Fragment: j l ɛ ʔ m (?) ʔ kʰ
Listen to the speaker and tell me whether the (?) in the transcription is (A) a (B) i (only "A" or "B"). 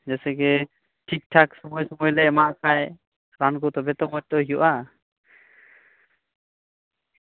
A